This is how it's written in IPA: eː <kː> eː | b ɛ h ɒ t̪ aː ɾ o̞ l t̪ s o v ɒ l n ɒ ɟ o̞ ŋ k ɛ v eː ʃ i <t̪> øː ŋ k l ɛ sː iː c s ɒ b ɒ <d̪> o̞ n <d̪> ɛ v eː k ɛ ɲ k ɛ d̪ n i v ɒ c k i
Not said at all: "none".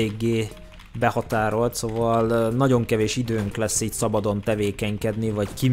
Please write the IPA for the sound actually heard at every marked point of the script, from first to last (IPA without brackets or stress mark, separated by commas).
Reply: ɡː, d̪, d̪, t̪